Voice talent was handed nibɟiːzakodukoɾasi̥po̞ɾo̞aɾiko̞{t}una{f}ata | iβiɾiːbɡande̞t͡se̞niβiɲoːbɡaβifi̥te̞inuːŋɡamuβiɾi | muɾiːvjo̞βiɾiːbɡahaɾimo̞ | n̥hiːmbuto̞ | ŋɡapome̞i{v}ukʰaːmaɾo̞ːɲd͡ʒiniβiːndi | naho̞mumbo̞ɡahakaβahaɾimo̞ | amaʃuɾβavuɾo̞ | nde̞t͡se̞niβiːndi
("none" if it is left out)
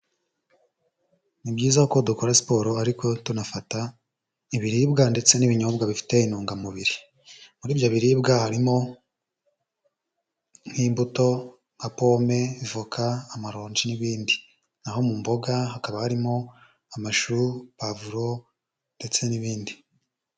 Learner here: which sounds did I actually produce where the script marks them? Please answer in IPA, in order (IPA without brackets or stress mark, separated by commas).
t, f, v